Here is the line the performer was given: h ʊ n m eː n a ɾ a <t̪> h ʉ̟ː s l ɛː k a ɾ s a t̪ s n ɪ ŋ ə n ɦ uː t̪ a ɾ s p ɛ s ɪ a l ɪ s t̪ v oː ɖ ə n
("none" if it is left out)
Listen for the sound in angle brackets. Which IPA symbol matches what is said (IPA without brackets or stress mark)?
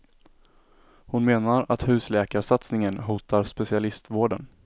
t̪